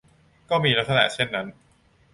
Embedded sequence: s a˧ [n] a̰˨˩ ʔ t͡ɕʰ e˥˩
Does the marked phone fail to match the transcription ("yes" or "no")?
no